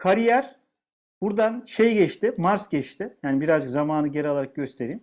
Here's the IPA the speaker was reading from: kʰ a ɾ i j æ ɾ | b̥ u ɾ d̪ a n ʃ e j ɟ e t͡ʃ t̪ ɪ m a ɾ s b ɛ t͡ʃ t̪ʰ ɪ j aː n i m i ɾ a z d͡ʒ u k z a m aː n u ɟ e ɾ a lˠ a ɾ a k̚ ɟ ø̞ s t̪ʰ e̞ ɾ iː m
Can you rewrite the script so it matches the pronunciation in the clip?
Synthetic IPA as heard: kʰ a ɾ i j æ ɾ | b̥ u ɾ d̪ a n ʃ e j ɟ ɛ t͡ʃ t̪ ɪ m a ɾ s ɟ ɛ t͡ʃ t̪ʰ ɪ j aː n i b i ɾ a z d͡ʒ ɯ k z a m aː n ɯ ɟ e ɾ a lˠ a ɾ a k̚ ɟ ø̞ s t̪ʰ e̞ ɾ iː m

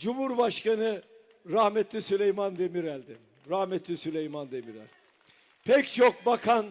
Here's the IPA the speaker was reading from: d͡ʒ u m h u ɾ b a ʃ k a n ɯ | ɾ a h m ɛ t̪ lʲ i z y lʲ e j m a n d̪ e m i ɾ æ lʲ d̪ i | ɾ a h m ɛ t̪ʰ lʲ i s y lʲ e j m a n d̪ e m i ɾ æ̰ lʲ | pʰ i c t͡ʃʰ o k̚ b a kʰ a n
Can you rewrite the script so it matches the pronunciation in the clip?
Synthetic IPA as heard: d͡ʒ u m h u ɾ b a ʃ k a n ɯ | ɾ a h m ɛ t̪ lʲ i s y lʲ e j m a n d̪ e m i ɾ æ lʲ d̪ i | ɾ a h m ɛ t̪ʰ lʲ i s y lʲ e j m a n d̪ e m i ɾ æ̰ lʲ | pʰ ɛ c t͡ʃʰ o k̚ b a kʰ a n

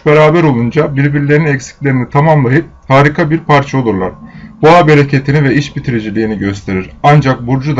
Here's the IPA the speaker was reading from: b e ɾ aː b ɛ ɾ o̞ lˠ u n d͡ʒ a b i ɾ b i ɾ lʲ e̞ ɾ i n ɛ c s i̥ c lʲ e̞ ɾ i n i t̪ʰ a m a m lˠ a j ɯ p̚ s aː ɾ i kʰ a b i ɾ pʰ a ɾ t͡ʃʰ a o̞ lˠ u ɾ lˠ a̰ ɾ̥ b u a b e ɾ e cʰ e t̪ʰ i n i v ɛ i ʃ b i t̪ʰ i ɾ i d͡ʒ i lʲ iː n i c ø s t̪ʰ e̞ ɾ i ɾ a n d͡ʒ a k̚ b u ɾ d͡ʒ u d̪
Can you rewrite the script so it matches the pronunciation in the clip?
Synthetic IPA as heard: b e ɾ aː b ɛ ɾ o̞ lˠ u n d͡ʒ a b i ɾ b i ɾ lʲ e̞ ɾ i n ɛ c s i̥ c lʲ e̞ ɾ i n i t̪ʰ a m a m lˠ a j ɯ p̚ h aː ɾ i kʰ a b i ɾ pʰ a ɾ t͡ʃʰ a o̞ lˠ u ɾ lˠ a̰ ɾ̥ b u a b e ɾ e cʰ e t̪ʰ i n i v ɛ i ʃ b i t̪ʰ i ɾ i d͡ʒ i lʲ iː n i ɟ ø s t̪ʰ e̞ ɾ i ɾ a n d͡ʒ a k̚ b u ɾ d͡ʒ u d̪

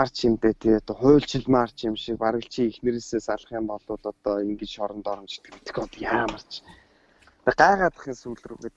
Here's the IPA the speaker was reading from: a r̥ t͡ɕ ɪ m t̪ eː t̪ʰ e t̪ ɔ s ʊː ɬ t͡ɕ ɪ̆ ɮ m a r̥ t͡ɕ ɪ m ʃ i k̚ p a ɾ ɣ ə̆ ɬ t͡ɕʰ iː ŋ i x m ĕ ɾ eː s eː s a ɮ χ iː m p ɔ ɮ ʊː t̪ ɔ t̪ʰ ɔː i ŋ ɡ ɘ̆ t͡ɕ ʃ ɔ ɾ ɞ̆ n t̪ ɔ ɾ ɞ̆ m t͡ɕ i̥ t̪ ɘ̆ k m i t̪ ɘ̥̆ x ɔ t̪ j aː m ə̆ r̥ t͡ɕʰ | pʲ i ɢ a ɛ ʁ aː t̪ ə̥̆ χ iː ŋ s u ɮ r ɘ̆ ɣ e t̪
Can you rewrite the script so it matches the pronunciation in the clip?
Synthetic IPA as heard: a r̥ t͡ɕ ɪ m t̪ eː t̪ʰ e t̪ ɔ χ ʊː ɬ t͡ɕ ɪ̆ ɮ m a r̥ t͡ɕ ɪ m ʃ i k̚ p a ɾ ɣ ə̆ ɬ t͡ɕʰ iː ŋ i x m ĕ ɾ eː s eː s a ɮ χ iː m p ɔ ɮ ʊː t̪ ɔ t̪ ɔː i ŋ ɡ ɘ̆ t͡ɕ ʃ ɔ ɾ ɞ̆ n t̪ ɔ ɾ ɞ̆ m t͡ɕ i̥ t̪ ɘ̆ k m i t̪ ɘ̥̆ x ɔ t̪ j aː m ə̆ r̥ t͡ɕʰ | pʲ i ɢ a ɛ ʁ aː t̪ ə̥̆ χ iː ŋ s u ɮ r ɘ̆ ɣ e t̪

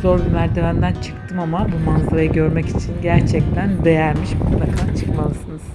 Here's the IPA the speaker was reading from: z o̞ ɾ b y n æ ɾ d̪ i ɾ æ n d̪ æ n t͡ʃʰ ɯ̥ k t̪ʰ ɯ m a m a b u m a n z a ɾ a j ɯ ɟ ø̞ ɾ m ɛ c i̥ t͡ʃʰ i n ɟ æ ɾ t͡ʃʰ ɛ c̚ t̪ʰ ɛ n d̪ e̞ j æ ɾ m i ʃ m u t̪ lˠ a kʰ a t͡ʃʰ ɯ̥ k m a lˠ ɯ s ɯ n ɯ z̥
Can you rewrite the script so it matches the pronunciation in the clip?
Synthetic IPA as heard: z o̞ ɾ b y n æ ɾ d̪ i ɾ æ n d̪ æ n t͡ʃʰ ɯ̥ k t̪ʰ ɯ m a m a b u m a n z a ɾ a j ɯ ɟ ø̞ ɾ m ɛ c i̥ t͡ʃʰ i n ɟ æ ɾ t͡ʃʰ ɛ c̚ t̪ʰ æ n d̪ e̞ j æ ɾ m i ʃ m u t̪ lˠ a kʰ a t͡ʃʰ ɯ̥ k m a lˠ ɯ s ɯ n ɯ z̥

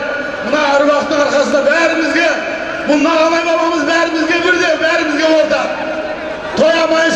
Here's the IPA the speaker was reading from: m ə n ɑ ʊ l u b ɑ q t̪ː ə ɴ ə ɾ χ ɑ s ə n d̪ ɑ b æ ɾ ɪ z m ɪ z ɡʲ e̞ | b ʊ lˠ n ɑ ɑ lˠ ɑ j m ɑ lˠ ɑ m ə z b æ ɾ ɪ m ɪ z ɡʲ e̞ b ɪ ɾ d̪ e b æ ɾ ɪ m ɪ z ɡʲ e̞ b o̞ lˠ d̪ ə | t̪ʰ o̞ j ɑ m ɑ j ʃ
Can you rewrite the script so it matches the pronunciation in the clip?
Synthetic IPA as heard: m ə n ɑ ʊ ɾ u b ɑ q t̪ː ə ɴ ɑ ɾ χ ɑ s ə n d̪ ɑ b æ ɾ ɪ m ɪ z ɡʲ e̞ | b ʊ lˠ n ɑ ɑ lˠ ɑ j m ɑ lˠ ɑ m ə z b æ ɾ ɪ m ɪ z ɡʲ e̞ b ɪ ɾ d̪ e b æ ɾ ɪ m ɪ z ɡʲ e̞ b o̞ lˠ d̪ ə | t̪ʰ o̞ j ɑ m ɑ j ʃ

